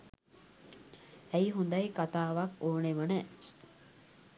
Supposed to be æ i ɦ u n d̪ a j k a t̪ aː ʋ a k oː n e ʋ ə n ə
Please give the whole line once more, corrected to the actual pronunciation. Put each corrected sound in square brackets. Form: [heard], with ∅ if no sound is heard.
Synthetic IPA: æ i ɦ u n d̪ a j k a t̪ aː ʋ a k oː n e ʋ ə n ə